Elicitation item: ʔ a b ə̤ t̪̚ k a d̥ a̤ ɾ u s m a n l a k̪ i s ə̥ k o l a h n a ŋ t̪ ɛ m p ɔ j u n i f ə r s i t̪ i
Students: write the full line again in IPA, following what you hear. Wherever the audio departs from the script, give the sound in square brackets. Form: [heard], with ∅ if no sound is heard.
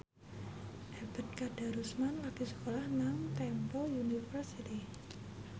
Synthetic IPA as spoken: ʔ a b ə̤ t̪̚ k a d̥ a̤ ɾ u s m a n l a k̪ i s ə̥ k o l a h n a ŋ t̪ ɛ m p ɔ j u n i f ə r s i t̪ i